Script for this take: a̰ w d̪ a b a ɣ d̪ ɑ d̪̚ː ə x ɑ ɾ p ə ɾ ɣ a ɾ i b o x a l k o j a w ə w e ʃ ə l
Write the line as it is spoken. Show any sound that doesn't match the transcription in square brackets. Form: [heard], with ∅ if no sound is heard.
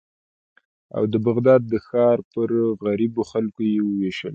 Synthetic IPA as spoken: a̰ w d̪ [ə] b a ɣ d̪ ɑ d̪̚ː ə x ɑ ɾ p ə ɾ ɣ a ɾ i b o x a l k o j [e] w ə w e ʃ ə l